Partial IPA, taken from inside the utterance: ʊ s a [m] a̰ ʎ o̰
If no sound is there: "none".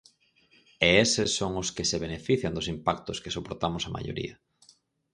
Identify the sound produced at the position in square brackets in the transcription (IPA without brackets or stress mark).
m